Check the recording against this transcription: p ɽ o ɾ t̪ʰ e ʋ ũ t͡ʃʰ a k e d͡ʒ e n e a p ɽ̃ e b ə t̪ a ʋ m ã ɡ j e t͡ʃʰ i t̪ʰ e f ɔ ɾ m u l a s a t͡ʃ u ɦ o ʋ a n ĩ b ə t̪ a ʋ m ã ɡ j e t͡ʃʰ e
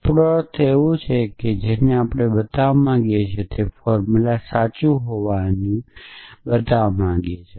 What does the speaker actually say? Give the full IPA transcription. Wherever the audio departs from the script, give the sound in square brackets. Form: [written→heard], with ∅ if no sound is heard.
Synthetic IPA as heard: p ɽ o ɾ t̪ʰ e ʋ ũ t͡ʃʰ [a→e] k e d͡ʒ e n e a p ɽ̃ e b ə t̪ a ʋ m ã ɡ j e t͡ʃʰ [i→e] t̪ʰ e f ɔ ɾ m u l a s a t͡ʃ u ɦ o ʋ a n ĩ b ə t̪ a ʋ m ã ɡ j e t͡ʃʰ e